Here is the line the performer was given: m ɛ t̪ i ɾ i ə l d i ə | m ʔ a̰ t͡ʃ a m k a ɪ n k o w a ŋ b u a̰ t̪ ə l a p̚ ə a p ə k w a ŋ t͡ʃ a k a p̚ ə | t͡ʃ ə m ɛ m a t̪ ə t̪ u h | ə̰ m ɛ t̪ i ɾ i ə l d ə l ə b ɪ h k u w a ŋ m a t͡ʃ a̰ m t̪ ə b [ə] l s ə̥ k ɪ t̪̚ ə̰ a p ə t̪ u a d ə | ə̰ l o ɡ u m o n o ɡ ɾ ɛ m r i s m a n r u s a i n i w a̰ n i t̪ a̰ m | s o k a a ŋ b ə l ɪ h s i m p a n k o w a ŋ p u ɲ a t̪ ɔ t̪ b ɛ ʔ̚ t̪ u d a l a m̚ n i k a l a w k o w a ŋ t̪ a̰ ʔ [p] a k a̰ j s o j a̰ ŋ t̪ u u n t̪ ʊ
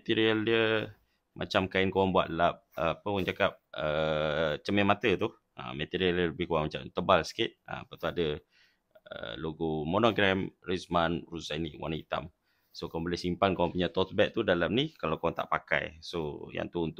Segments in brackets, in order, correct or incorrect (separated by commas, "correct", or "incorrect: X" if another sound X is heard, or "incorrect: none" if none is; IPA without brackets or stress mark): incorrect: a, correct